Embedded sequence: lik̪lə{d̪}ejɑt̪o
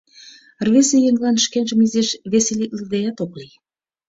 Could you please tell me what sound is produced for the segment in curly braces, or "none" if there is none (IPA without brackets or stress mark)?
d̪